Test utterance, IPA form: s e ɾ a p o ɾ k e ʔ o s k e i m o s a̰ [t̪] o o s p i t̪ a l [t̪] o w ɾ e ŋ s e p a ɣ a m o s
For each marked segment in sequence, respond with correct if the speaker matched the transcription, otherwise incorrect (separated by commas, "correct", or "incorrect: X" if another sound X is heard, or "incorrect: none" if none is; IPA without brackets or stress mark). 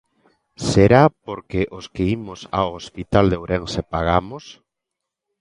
incorrect: none, incorrect: d̪